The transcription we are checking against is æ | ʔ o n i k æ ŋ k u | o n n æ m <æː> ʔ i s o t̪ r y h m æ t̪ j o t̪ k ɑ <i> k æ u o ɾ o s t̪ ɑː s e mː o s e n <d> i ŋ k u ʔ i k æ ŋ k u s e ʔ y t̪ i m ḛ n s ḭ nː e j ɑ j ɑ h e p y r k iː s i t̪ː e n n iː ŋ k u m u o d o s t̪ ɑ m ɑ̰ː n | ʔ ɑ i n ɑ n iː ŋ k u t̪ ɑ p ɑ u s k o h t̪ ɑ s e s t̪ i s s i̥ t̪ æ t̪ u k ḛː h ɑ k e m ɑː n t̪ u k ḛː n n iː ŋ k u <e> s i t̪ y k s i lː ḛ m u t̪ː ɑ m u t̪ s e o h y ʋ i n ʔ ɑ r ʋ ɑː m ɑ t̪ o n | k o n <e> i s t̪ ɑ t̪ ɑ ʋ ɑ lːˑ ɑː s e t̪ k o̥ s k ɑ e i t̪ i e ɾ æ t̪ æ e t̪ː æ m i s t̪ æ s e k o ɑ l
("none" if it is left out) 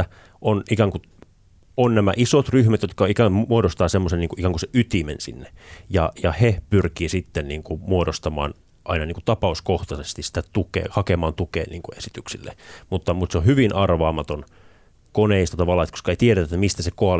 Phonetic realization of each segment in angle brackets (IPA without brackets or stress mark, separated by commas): æ, i, n, e, e